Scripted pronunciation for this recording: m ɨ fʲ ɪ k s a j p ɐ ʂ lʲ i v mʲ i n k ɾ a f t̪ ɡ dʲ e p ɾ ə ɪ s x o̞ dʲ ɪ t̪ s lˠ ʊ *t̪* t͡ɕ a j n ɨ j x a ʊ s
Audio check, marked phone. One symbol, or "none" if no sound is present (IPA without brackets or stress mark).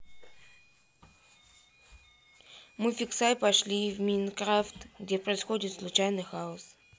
none